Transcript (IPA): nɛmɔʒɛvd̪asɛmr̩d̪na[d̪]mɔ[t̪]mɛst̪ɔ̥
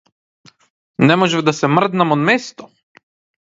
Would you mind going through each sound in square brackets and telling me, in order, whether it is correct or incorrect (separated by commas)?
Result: incorrect, incorrect